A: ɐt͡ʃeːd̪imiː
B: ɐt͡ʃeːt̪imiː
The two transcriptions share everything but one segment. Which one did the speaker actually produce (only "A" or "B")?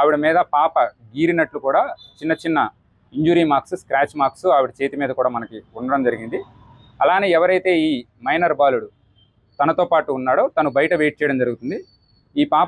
B